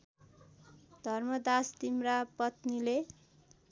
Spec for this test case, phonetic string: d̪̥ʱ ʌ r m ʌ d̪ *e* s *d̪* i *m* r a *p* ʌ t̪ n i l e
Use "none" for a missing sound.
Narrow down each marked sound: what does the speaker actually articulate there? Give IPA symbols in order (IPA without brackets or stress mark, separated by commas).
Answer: a, t̪, m, p